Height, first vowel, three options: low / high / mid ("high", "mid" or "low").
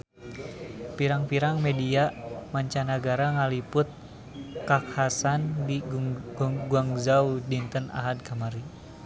high